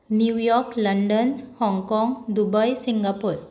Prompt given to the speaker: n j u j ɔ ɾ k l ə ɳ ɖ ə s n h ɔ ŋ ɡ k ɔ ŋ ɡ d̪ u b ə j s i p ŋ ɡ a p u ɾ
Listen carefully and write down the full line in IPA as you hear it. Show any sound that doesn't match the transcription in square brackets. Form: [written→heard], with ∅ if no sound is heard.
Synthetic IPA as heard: n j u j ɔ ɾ k l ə ɳ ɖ ə [s→∅] n h ɔ ŋ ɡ k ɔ ŋ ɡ d̪ u b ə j s i [p→∅] ŋ ɡ a p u ɾ